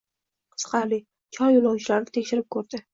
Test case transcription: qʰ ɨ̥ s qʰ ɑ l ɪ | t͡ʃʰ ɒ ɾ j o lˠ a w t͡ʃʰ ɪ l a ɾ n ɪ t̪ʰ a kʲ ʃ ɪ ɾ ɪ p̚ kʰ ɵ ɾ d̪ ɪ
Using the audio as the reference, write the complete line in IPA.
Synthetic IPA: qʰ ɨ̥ s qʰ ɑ l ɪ | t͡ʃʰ ɒ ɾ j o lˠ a w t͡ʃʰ ɪ l a ɾ n ɪ t̪ʰ e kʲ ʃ ɪ ɾ ɪ p̚ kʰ ɵ ɾ d̪ ɪ